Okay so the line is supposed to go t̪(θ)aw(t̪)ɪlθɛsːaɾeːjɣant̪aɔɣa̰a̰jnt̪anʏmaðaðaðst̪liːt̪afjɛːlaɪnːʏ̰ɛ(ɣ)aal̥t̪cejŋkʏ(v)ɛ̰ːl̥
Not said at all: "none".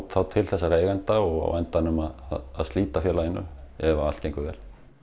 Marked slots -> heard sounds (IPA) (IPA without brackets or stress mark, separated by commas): θ, t̪ʰ, v, v